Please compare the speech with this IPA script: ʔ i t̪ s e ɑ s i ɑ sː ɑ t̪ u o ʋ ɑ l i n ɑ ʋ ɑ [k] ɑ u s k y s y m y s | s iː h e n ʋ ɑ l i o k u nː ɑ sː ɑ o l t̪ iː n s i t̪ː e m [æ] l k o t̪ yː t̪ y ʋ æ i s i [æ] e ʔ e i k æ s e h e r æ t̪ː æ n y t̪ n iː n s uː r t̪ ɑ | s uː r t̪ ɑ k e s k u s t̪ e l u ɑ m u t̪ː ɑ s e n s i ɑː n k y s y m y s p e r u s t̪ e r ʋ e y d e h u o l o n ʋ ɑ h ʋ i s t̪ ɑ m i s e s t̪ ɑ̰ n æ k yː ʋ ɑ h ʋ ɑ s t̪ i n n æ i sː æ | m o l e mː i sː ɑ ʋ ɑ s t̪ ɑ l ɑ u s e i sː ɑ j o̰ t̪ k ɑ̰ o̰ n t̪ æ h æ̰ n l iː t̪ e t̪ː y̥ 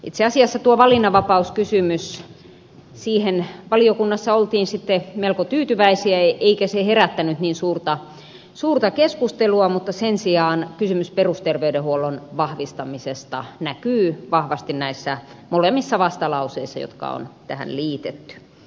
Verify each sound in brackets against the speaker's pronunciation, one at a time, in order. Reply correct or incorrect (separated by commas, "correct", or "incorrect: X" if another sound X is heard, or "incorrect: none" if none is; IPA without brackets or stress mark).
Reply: incorrect: p, incorrect: e, correct